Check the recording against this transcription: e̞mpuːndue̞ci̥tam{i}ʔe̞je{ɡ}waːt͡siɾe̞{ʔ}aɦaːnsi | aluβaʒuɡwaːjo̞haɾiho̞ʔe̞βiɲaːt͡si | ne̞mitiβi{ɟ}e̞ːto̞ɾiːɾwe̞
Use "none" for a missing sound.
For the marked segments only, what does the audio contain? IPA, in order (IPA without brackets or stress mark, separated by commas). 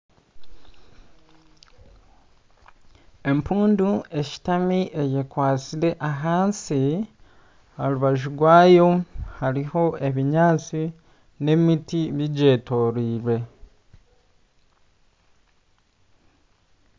i, k, ʔ, ɟ